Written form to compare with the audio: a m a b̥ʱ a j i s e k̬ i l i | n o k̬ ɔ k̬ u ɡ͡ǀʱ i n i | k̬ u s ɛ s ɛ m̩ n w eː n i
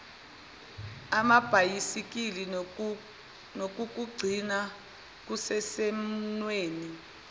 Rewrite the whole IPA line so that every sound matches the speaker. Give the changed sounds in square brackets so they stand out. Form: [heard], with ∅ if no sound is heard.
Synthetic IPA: a m a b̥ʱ a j i s [i] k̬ i l i | n o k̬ [u] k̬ u ɡ͡ǀʱ i n [a] | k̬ u s ɛ s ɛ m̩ n w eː n i